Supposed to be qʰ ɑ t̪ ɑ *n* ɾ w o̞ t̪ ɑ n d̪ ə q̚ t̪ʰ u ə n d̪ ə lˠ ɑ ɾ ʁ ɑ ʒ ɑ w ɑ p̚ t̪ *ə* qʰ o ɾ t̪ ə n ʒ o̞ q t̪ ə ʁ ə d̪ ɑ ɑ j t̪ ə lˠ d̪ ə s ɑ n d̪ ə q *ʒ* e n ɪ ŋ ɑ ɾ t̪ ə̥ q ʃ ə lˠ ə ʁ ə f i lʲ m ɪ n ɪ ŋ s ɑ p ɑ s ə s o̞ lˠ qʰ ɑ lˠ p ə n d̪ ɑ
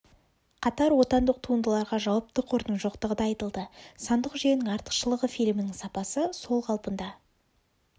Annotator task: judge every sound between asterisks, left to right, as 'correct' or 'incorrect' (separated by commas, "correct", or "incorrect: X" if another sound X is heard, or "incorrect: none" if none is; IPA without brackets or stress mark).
incorrect: none, correct, correct